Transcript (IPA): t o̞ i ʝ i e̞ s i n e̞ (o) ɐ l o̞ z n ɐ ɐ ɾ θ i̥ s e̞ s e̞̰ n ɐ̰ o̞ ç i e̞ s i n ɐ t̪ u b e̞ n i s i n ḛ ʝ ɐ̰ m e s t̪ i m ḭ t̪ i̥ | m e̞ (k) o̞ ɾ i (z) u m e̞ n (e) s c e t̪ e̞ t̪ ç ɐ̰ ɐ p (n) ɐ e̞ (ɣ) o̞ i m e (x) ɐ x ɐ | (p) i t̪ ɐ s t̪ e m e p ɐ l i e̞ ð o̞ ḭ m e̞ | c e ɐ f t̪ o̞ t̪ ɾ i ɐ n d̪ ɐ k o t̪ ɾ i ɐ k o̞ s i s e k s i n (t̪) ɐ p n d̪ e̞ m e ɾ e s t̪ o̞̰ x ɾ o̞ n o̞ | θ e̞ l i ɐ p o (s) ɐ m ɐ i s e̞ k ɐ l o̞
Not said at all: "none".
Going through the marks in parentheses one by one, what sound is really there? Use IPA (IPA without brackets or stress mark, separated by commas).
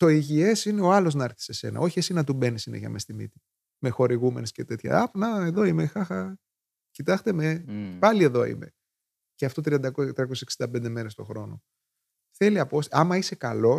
o, x, ɣ, e, n, ð, x, c, d̪, s